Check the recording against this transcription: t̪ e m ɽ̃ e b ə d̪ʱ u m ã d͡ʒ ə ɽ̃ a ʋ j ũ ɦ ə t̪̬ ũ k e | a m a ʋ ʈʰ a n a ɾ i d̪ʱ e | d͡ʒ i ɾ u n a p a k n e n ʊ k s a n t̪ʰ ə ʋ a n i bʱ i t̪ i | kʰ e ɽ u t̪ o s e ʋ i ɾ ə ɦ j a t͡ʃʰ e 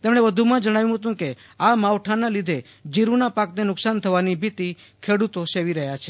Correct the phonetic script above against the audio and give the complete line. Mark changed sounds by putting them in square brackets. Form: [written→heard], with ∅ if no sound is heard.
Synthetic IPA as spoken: t̪ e m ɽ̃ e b ə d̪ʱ u m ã d͡ʒ ə ɽ̃ a ʋ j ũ ɦ ə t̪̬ ũ k e | a m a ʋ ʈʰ a n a [ɾ→l] i d̪ʱ e | d͡ʒ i ɾ u n a p a k n e n ʊ k s a n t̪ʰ ə ʋ a n i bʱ i t̪ i | kʰ e ɽ u t̪ o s e ʋ i ɾ ə ɦ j a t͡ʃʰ e